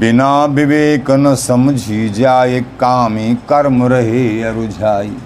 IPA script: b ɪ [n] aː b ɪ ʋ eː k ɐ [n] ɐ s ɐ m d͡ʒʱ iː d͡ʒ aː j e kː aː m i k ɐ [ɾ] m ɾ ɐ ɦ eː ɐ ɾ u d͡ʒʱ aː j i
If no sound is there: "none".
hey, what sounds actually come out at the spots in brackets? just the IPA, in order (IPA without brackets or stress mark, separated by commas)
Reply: n, n, ɾ